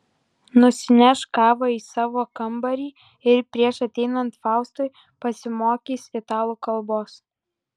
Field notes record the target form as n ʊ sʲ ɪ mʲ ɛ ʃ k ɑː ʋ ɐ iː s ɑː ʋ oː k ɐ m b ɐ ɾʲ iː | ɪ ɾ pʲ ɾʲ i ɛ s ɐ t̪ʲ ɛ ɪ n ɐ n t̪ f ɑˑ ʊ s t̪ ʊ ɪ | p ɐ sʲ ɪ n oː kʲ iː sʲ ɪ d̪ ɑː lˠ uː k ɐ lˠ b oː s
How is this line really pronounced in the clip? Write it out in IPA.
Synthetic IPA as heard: n ʊ sʲ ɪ nʲ ɛ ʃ k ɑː ʋ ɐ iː s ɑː ʋ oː k ɐ m b ɐ ɾʲ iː | ɪ ɾ pʲ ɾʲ i ɛ ʃ ɐ t̪ʲ ɛ ɪ n ɐ n t̪ f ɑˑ ʊ s t̪ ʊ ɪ | p ɐ sʲ ɪ m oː kʲ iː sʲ ɪ t̪ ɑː lˠ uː k ɐ lˠ b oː s